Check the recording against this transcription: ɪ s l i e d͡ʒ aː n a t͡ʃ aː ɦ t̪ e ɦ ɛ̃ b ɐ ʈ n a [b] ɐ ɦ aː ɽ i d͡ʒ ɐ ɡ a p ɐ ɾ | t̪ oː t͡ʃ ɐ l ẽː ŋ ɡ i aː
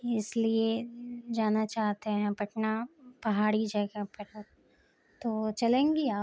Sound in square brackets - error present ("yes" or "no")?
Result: yes